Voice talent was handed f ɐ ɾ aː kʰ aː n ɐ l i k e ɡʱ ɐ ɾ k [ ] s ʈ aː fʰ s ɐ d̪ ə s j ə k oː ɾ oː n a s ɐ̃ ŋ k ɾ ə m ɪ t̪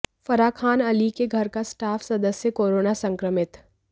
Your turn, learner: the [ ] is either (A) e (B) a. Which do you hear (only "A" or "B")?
B